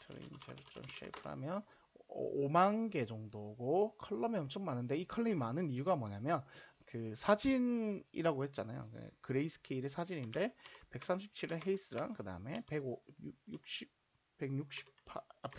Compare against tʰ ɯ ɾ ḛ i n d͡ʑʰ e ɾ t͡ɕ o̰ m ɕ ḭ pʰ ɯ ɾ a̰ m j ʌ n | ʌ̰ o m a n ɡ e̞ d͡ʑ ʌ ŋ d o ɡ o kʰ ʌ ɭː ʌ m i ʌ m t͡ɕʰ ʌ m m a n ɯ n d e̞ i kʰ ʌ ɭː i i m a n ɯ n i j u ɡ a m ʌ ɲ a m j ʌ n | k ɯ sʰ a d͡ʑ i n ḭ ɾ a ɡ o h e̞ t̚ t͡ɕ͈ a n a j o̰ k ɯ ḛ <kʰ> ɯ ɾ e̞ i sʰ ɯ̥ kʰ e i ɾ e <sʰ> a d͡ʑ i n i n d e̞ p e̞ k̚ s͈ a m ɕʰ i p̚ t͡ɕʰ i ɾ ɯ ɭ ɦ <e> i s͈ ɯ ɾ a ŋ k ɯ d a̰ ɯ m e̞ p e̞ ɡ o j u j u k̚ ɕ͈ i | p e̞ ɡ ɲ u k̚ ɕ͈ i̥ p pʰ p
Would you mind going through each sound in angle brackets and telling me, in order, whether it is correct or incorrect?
incorrect: k, correct, correct

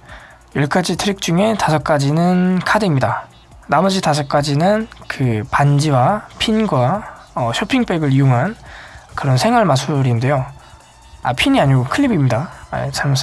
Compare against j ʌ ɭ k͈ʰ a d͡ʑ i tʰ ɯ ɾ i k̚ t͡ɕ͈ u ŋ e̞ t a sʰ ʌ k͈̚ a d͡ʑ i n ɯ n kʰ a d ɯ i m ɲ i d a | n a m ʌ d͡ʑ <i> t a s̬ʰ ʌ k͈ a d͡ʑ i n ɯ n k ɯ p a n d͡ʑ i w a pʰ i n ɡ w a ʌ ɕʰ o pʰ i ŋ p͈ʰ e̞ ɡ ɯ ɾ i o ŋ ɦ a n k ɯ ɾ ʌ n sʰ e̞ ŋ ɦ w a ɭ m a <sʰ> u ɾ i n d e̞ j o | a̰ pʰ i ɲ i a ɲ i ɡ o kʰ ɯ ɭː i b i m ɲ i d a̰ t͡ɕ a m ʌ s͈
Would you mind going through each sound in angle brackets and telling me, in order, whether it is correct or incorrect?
correct, correct

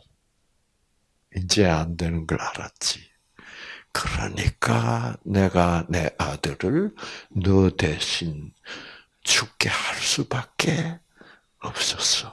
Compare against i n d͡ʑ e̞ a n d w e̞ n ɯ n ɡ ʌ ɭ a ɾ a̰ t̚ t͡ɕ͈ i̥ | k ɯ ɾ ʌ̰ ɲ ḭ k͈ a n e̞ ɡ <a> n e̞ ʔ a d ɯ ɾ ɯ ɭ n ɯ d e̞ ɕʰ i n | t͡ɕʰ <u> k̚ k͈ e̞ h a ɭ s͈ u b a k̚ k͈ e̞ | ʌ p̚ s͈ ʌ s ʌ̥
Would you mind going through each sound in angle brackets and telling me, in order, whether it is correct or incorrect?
correct, correct

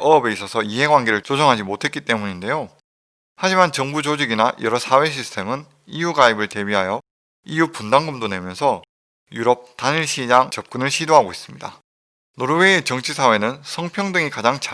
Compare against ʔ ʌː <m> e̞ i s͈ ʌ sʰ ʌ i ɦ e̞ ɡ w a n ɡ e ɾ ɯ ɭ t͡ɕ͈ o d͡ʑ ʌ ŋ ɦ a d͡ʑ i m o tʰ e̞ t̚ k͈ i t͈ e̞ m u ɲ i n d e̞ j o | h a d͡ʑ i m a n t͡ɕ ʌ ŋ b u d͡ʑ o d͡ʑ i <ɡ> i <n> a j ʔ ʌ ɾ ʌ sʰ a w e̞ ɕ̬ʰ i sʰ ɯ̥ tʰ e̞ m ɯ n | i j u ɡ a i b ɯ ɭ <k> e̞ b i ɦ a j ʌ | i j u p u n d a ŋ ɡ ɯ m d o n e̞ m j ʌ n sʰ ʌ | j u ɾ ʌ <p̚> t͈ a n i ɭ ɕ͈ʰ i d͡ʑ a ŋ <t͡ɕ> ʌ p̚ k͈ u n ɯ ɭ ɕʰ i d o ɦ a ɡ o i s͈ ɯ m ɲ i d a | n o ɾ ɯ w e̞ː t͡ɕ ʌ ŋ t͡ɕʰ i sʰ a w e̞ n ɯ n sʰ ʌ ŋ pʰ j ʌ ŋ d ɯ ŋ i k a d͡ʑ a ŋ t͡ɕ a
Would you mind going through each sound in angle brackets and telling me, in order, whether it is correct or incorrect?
incorrect: b, correct, correct, incorrect: t, correct, correct

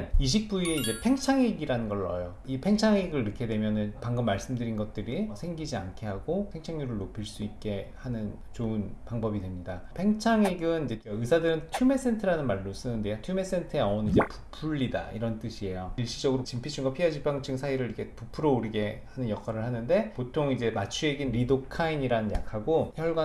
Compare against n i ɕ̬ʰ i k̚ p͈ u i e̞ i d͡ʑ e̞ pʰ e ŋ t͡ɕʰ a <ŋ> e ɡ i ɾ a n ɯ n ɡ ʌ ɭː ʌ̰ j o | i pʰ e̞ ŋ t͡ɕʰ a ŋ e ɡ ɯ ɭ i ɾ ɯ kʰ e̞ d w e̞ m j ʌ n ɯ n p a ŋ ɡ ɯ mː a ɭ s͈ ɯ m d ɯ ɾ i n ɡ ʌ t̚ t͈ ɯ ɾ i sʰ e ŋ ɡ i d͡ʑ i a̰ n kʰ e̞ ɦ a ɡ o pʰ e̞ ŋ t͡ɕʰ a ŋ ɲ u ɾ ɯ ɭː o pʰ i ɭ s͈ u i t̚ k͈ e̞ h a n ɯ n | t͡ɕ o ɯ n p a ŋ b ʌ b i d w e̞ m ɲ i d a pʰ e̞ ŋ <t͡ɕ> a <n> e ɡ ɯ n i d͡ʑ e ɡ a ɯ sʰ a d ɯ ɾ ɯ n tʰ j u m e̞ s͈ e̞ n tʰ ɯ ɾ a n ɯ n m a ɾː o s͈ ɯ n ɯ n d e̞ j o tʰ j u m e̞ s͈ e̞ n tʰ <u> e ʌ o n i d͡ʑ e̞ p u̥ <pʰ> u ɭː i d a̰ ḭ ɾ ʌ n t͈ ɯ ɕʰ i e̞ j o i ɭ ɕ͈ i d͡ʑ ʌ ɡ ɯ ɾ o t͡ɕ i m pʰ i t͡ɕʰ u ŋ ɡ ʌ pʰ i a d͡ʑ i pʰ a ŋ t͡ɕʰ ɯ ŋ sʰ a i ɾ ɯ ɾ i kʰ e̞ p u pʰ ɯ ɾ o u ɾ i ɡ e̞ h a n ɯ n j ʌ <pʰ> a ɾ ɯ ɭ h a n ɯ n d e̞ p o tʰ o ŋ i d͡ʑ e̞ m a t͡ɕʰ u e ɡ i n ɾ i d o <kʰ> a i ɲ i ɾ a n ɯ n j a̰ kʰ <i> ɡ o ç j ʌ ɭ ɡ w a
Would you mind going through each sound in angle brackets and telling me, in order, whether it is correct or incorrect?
correct, incorrect: t͡ɕʰ, incorrect: ŋ, incorrect: ɯ, correct, incorrect: kʰ, correct, incorrect: a

